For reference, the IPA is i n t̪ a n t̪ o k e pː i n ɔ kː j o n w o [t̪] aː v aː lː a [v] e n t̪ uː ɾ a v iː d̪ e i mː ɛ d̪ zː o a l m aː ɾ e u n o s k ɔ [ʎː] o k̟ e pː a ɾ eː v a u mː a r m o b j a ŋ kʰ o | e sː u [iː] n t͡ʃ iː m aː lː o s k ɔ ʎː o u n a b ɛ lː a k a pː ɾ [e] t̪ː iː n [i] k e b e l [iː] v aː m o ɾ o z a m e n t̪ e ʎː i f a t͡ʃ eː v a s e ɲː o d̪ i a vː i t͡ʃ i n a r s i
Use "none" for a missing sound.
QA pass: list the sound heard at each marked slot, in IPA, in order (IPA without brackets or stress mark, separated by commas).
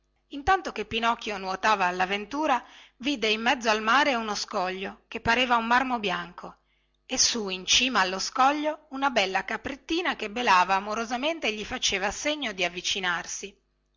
t̪, v, ʎː, i, e, a, aː